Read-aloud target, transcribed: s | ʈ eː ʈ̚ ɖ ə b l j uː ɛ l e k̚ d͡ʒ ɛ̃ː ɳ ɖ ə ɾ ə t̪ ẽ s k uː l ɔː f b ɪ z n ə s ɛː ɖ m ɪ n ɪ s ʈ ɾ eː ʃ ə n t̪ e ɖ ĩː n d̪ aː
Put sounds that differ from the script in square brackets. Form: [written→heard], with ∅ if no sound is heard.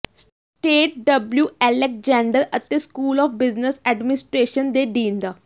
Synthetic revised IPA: s | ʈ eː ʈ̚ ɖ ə b l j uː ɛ l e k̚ d͡ʒ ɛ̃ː ɳ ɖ ə ɾ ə t̪ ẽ s k uː l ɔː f b ɪ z n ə s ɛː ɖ m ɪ n ɪ s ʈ ɾ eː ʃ ə n [t̪→d̪] e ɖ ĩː n d̪ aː